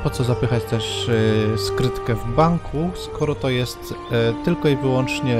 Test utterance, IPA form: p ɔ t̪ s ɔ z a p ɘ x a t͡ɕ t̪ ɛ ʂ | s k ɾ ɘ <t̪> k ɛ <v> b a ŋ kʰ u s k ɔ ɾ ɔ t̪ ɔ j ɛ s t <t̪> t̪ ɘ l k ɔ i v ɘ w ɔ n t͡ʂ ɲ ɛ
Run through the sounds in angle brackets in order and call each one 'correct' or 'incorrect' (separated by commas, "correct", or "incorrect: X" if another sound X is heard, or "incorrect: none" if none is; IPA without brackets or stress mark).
correct, correct, correct